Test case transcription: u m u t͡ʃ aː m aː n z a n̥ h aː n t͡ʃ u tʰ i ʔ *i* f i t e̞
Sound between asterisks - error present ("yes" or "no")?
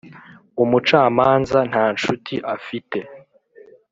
yes